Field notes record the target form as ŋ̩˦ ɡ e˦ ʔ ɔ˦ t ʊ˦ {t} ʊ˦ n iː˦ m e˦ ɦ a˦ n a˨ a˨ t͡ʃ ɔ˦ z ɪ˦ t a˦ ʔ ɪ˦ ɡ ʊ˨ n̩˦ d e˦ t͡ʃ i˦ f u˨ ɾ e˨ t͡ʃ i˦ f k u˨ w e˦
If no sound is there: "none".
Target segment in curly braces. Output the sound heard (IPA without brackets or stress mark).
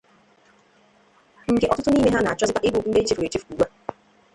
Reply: t